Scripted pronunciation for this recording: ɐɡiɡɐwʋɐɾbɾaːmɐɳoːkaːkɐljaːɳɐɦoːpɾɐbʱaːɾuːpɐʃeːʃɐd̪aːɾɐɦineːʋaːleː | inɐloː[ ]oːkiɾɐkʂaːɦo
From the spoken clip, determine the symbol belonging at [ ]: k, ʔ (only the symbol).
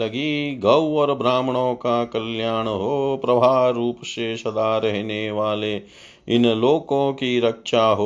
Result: k